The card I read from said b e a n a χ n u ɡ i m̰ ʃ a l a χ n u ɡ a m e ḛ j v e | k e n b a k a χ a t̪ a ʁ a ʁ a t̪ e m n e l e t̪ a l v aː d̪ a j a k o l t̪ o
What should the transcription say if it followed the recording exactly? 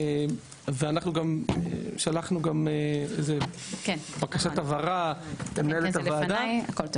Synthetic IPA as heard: v e a n a χ n u ɡ a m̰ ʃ a l a χ n u ɡ a m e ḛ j z e | k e n b a k a ʃ a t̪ a v a ʁ a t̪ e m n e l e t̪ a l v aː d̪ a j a k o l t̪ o